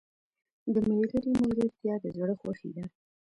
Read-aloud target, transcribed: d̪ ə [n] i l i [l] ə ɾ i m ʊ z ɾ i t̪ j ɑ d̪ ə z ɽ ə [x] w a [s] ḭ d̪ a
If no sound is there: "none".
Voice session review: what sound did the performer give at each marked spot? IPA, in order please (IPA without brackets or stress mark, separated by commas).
m, l, x, x